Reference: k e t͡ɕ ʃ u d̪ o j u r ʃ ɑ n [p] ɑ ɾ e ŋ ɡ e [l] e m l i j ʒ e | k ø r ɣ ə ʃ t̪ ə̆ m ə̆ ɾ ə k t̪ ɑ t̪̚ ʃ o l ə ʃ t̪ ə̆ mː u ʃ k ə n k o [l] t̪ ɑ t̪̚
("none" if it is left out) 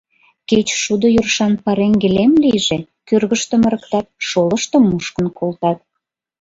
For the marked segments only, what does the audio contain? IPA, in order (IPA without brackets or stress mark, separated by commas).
p, l, l